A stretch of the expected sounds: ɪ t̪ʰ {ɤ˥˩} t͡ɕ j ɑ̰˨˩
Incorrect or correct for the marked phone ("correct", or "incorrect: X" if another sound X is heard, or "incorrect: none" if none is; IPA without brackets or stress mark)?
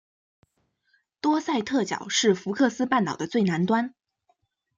correct